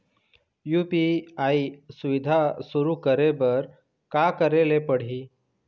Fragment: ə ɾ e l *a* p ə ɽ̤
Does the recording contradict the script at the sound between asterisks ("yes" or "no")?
yes